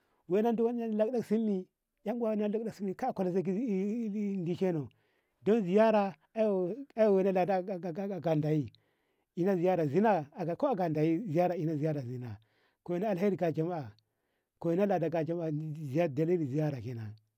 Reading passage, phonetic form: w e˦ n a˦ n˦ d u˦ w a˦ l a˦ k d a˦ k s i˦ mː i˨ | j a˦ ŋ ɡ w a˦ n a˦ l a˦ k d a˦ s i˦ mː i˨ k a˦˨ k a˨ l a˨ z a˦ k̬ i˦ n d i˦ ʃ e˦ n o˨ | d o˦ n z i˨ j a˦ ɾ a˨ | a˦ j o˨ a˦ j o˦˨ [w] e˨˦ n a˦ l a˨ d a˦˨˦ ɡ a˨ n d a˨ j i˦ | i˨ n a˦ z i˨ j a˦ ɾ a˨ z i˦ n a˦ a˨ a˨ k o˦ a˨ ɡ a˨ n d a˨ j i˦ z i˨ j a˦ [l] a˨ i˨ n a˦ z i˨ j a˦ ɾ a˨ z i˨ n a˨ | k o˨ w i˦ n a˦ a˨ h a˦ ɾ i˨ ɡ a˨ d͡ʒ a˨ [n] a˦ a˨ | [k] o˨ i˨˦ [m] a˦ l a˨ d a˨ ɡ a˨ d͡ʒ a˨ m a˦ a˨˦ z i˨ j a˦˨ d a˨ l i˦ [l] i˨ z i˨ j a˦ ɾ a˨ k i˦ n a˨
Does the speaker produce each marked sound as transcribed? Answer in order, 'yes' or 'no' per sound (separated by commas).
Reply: yes, no, no, yes, no, yes